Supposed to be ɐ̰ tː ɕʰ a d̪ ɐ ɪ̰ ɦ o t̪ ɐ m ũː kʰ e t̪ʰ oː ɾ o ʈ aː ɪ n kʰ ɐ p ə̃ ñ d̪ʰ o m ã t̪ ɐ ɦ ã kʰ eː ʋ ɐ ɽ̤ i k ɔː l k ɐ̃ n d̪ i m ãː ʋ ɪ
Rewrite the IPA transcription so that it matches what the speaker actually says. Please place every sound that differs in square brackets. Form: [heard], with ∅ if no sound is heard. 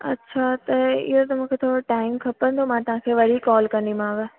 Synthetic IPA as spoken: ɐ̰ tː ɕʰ a [t̪] ɐ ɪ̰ ɦ o t̪ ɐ m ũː kʰ e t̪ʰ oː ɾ o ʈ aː ɪ [m] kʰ ɐ p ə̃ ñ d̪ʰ o m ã t̪ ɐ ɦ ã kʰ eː ʋ ɐ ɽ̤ i k ɔː l k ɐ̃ n d̪ i m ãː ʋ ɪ